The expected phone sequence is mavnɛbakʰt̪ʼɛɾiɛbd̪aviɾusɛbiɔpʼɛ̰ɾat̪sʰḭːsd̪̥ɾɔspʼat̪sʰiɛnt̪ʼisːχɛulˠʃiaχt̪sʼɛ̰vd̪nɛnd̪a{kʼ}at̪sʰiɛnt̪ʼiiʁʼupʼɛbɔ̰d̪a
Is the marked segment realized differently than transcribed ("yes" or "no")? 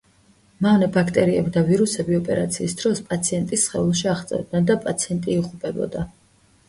yes